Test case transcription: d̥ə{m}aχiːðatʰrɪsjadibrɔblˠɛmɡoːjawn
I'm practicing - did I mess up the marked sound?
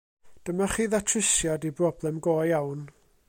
no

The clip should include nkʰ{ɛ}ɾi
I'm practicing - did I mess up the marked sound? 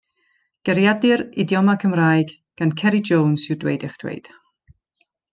no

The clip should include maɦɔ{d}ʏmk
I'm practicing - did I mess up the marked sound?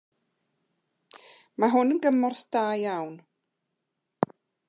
yes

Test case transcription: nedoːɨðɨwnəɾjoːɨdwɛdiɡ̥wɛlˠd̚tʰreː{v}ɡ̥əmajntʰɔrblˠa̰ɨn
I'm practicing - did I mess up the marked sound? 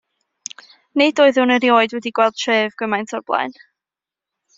no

